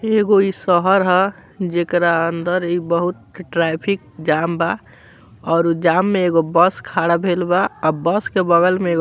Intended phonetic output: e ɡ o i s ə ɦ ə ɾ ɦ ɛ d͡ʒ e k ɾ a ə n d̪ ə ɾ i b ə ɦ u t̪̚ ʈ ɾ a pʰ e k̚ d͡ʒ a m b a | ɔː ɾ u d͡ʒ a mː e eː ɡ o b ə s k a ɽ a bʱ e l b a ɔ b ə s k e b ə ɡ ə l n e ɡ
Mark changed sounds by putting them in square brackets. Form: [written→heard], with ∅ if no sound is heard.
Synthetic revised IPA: e ɡ o i s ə ɦ ə ɾ ɦ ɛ d͡ʒ e k ɾ a ə n d̪ ə ɾ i b ə ɦ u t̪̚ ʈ ɾ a pʰ [e→i] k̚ d͡ʒ a m b a | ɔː ɾ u d͡ʒ a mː e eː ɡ o b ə s [k→kʰ] a ɽ a bʱ e l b a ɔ b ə s k e b ə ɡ ə l [n→m] e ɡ